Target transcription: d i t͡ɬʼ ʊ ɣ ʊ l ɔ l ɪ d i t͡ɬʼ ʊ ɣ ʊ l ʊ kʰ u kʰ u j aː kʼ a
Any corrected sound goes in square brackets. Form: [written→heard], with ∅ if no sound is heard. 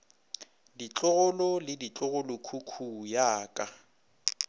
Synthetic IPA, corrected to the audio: d i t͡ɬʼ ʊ ɣ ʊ l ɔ l ɪ d i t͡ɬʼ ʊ ɣ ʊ l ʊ kʰ u kʰ u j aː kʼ a